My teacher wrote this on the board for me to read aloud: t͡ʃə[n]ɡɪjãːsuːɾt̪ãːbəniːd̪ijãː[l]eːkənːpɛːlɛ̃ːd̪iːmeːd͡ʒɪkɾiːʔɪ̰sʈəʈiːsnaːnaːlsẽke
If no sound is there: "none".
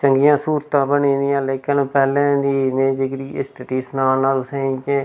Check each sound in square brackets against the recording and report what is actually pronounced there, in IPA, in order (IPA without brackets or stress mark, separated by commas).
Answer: ŋ, l